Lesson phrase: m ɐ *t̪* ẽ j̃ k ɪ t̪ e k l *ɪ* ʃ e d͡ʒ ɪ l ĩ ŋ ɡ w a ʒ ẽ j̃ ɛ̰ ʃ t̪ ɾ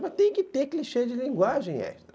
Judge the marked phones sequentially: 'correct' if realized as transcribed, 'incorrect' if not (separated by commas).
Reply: correct, incorrect